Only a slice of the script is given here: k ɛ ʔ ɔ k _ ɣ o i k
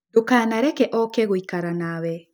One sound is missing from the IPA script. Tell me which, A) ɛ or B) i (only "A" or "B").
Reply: A